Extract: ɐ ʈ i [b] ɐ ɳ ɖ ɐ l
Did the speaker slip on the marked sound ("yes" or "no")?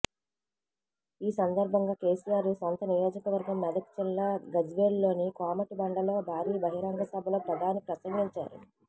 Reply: no